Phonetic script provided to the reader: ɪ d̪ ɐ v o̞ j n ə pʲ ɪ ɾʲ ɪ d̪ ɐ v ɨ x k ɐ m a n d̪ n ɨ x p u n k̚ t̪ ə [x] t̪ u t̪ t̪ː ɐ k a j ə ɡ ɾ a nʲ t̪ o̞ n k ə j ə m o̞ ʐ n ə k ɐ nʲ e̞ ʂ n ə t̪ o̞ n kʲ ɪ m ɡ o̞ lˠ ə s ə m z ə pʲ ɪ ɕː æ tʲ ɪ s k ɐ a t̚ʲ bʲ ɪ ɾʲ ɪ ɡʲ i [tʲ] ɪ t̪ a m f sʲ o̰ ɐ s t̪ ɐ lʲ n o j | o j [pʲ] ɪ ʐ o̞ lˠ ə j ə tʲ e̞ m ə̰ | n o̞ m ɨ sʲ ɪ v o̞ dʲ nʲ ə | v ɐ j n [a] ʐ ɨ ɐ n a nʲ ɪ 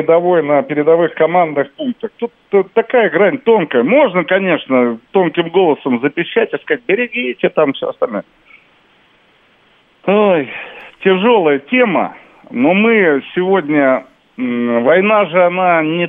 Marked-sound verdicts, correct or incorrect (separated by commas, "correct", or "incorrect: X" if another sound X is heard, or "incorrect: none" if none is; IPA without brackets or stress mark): correct, correct, incorrect: tʲ, correct